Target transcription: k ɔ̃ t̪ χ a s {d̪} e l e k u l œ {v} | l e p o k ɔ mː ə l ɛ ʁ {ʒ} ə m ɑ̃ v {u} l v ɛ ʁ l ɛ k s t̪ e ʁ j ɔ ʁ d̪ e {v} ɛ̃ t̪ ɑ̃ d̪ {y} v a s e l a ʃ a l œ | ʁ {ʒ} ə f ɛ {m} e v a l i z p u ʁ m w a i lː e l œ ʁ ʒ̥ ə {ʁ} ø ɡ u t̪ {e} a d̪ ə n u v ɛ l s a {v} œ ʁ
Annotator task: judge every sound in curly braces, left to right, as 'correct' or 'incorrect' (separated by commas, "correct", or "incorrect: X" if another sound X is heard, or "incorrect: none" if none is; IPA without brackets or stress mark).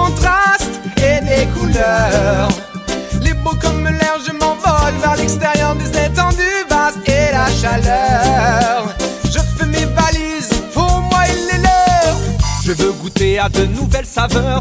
incorrect: t̪, incorrect: ʁ, correct, incorrect: ɔ, incorrect: z, correct, correct, correct, incorrect: v, correct, correct